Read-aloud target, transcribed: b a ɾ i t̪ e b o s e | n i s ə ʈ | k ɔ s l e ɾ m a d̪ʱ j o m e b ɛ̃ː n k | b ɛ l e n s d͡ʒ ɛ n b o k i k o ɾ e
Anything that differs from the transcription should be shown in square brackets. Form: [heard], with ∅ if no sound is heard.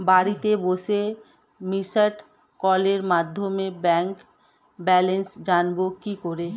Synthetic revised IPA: b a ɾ i t̪ e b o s e | [m] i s ə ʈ | k ɔ [∅] l e ɾ m a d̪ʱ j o m e b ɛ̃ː [ŋ] k | b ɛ l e n s d͡ʒ [a] n b o k i k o ɾ e

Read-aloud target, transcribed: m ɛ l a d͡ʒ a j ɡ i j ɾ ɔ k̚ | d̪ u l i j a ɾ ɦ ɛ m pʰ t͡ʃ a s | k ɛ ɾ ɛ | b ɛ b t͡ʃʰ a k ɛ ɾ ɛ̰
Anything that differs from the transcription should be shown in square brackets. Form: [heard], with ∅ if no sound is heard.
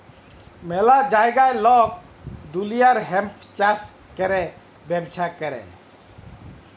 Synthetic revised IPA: m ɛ l a d͡ʒ a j ɡ [a] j [l] ɔ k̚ | d̪ u l i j a ɾ ɦ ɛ m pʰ t͡ʃ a s | k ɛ ɾ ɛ | b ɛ b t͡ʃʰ a k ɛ ɾ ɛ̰

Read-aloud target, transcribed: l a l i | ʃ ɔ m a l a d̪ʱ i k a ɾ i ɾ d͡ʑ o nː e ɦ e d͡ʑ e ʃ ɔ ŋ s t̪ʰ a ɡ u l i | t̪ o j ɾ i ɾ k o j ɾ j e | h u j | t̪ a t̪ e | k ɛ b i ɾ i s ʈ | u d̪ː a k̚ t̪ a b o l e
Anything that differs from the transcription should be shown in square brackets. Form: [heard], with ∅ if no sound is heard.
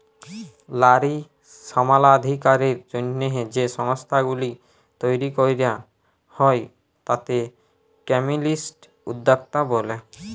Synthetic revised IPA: l a [ɾ] i | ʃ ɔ m a l a d̪ʱ i k a ɾ i ɾ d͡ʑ o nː e ɦ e d͡ʑ e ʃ ɔ ŋ s t̪ʰ a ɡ u l i | t̪ o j ɾ i [∅] k o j ɾ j [a] | h [ɔ] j | t̪ a t̪ e | k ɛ [m] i [l] i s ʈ | u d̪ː a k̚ t̪ a b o l e

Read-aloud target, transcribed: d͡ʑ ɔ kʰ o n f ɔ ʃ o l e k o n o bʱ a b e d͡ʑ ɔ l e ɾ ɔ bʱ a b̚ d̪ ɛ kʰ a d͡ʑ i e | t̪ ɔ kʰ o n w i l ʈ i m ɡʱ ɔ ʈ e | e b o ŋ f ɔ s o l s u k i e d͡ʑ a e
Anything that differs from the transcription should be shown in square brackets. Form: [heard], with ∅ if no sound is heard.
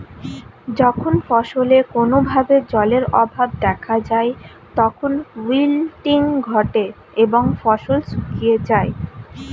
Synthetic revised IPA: d͡ʑ ɔ kʰ o n f ɔ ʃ o l e k o n o bʱ a b e d͡ʑ ɔ l e ɾ ɔ bʱ a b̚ d̪ ɛ kʰ a d͡ʑ [a] e | t̪ ɔ kʰ o n w i l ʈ i [ŋ] ɡʱ ɔ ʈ e | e b o ŋ f ɔ [ʃ] o l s u k i e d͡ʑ a e

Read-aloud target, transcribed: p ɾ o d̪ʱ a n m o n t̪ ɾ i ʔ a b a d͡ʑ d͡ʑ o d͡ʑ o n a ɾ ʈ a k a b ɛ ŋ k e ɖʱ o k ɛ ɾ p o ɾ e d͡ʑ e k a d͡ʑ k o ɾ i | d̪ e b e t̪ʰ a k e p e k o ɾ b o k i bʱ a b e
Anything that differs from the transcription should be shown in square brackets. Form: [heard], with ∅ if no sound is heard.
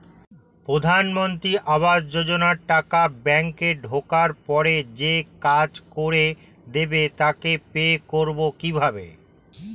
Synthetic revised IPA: p ɾ o d̪ʱ a n m o n t̪ ɾ i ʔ a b a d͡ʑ d͡ʑ o d͡ʑ o n a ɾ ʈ a k a b ɛ ŋ k e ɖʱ o k [a] ɾ p [ɔ] ɾ e d͡ʑ e k a d͡ʑ k o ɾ [e] | d̪ e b e [t̪] a k e p e k o ɾ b o k i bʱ a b e

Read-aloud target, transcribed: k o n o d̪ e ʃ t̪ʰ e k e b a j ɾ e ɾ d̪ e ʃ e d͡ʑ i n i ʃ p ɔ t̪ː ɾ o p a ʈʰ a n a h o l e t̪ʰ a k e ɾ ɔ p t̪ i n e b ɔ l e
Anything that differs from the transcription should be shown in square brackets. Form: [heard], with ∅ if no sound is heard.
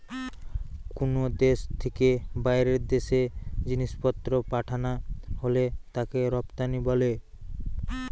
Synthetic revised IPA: k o n o d̪ e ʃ t̪ʰ e k e b a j ɾ e ɾ d̪ e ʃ e d͡ʑ i n i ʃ p ɔ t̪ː ɾ o p a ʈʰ a n a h o l e [t̪] a k e ɾ ɔ p t̪ [a] n [i] b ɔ l e

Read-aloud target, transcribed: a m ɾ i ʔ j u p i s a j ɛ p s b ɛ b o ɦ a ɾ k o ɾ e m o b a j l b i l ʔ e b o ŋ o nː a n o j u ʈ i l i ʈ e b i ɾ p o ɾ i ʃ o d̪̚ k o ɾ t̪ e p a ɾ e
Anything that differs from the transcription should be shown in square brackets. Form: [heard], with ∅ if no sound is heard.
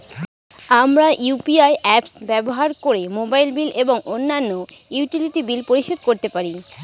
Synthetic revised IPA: a m ɾ [a] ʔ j u p i [∅] a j ɛ p s b ɛ b o ɦ a ɾ k o ɾ e m o b a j l b i l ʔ e b o ŋ o nː a [nː] o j u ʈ i l i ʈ [i] b i [l] p o ɾ i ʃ o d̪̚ k o ɾ t̪ e p a ɾ [i]

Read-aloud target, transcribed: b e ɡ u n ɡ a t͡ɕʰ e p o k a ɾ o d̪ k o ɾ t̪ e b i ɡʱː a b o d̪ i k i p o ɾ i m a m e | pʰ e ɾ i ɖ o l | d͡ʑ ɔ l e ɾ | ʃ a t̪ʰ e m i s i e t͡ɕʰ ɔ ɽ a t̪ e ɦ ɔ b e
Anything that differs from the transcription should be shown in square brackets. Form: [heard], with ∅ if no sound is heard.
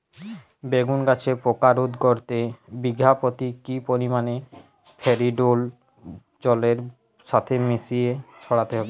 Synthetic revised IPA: b e ɡ u n ɡ a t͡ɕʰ e p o k a ɾ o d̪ k o ɾ t̪ e b i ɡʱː a [p] o [t̪] i k i p o ɾ i m a [n] e | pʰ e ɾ i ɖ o l | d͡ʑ ɔ l e ɾ | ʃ a t̪ʰ e m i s i e t͡ɕʰ ɔ ɽ a t̪ e ɦ ɔ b e

